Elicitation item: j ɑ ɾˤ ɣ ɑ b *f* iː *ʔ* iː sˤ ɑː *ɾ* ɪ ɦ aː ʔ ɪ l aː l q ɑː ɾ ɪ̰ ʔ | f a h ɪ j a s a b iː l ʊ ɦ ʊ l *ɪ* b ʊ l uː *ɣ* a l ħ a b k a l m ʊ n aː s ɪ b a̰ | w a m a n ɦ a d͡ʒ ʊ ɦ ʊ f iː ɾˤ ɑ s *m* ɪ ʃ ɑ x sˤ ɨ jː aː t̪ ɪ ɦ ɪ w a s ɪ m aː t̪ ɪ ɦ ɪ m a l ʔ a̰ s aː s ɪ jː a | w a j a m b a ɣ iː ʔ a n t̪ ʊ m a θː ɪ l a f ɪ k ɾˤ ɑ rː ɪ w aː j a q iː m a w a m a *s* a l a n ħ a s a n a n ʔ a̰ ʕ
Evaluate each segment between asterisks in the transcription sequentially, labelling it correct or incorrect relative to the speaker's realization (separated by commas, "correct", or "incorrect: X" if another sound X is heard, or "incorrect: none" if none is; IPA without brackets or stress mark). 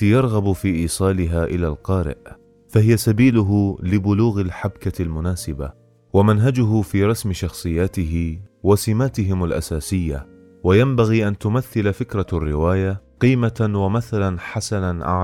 correct, correct, incorrect: l, correct, correct, correct, incorrect: θ